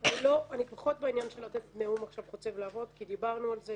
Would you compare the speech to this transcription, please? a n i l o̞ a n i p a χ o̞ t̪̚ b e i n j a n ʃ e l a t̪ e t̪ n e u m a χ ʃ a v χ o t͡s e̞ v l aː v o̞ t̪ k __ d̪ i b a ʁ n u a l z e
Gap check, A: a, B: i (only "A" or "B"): B